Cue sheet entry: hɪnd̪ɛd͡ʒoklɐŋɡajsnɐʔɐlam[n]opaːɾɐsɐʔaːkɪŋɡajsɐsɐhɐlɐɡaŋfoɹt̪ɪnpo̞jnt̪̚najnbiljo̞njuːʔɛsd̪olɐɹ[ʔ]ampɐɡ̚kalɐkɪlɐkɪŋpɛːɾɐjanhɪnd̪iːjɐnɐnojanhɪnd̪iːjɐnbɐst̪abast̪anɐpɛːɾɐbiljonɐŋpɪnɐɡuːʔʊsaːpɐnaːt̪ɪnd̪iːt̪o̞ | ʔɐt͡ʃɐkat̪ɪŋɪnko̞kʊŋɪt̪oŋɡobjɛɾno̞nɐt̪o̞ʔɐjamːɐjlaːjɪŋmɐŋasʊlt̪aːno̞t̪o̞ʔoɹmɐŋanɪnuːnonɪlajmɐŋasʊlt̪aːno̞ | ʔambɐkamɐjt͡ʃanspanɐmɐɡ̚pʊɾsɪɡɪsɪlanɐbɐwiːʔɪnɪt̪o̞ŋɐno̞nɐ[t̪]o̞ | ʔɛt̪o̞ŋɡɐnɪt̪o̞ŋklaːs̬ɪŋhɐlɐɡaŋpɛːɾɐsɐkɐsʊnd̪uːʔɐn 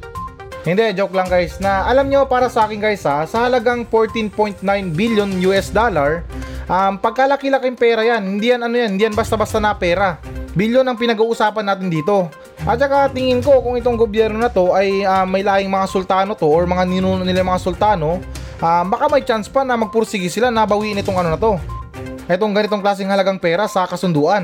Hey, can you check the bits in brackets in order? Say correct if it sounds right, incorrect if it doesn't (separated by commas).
incorrect, correct, correct